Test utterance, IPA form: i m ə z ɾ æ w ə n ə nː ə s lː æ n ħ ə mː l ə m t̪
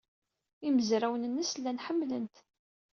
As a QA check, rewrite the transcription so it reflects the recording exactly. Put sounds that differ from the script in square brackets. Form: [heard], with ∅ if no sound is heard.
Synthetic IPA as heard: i m ə z ɾ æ w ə n ə nː ə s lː æ n ħ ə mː l ə [n] t̪